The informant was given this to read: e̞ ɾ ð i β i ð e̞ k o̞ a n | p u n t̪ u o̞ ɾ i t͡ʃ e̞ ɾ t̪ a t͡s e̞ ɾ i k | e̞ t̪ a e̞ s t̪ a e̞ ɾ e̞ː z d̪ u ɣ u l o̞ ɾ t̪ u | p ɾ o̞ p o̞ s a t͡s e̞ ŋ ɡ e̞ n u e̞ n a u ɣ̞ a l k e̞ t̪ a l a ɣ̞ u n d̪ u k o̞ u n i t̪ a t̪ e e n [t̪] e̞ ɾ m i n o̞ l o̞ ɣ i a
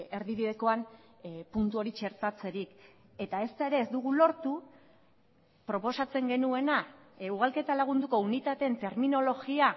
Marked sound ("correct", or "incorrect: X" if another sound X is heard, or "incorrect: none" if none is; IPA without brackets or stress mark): correct